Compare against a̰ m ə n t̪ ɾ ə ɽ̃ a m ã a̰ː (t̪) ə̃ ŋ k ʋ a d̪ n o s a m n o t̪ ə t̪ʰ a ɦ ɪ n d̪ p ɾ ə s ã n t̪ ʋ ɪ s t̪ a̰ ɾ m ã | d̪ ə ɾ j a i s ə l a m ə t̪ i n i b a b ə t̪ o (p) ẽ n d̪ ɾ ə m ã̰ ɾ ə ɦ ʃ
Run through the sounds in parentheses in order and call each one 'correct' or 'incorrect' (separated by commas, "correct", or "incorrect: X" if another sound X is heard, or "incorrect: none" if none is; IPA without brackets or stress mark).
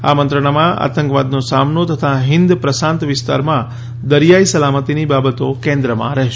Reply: correct, incorrect: k